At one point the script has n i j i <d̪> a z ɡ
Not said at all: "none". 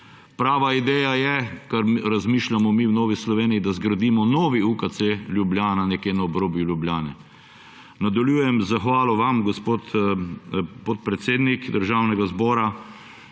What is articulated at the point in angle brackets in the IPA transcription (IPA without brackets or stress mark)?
d̪